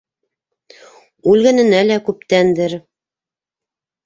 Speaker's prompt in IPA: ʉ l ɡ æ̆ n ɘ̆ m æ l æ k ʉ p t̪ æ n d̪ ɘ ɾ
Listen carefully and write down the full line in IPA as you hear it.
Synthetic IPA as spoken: ʉ l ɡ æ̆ n ɘ̆ n æ l æ k ʉ p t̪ æ n d̪ ɘ ɾ